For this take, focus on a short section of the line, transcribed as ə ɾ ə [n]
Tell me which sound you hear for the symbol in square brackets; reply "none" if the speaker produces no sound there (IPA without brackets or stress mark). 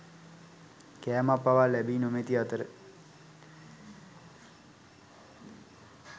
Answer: none